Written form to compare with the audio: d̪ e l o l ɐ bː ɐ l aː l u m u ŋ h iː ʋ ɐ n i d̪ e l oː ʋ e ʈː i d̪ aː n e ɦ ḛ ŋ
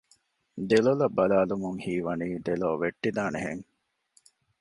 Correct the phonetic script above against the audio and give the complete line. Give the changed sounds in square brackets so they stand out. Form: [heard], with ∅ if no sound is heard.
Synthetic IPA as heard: d̪ e l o l ɐ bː ɐ l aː l u m u ŋ h iː ʋ ɐ n [iː] d̪ e l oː ʋ e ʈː i d̪ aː n e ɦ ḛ ŋ